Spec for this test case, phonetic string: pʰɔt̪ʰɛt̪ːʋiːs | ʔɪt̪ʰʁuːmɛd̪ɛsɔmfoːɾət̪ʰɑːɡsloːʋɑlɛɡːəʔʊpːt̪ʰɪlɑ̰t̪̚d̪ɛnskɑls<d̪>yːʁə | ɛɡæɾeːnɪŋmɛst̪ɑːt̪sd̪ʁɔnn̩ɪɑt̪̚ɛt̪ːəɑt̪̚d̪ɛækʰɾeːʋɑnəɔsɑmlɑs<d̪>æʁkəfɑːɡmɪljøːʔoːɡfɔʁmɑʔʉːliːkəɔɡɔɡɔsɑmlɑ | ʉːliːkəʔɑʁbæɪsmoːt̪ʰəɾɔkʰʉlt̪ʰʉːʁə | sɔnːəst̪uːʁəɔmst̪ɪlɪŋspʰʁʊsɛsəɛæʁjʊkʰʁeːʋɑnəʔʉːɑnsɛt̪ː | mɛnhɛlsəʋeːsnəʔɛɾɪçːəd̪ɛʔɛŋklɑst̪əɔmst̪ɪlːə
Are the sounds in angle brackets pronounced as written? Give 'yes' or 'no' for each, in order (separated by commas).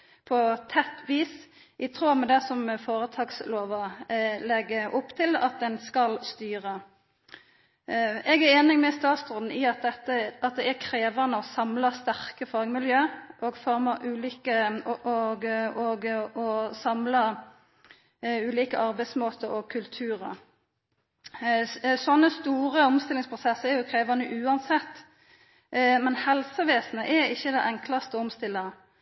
no, no